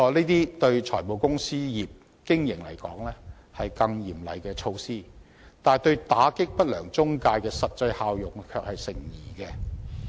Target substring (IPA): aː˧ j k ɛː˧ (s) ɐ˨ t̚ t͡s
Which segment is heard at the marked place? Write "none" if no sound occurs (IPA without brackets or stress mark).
s